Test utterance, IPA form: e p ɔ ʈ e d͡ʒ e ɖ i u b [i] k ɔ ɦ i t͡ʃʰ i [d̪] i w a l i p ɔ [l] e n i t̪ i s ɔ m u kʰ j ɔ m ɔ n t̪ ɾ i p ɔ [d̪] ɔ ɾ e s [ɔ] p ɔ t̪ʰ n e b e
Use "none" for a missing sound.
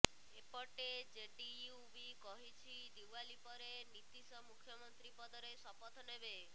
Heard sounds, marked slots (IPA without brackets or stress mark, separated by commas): i, d̪, ɾ, d̪, ɔ